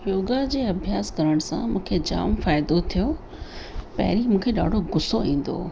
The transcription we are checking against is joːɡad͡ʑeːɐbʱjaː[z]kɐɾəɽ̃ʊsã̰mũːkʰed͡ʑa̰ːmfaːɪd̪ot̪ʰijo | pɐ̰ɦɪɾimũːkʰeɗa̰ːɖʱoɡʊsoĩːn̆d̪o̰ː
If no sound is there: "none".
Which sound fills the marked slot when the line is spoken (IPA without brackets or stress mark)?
s